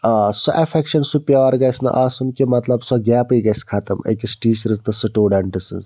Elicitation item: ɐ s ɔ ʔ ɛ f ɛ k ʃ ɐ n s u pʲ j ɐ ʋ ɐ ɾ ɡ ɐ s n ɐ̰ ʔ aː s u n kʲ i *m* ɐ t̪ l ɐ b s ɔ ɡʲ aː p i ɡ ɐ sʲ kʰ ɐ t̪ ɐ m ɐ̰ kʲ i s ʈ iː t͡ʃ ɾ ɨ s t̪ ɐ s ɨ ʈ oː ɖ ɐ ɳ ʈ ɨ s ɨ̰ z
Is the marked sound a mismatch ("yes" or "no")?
no